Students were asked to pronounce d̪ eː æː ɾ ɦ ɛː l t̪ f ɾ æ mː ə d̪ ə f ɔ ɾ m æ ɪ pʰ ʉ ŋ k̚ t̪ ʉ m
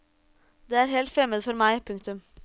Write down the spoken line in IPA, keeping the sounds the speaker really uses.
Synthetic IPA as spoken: d̪ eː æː ɾ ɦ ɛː l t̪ f ɾ ɛ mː ə d̪ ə f ɔ ɾ m æ ɪ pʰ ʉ ŋ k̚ t̪ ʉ m